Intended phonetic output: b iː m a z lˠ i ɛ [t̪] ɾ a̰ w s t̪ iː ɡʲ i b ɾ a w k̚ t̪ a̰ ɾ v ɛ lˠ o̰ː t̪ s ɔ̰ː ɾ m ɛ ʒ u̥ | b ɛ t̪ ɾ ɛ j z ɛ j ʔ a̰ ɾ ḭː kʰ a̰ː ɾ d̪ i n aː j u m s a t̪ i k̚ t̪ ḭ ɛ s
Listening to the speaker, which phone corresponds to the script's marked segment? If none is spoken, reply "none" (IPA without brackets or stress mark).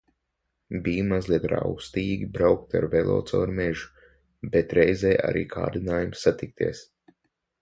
t̪